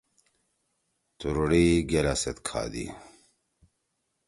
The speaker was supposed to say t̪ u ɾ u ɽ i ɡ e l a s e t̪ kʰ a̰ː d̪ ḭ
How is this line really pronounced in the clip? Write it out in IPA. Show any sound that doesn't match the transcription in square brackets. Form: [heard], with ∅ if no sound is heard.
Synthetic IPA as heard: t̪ u ɾ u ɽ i ɡ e l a s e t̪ kʰ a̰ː d̪ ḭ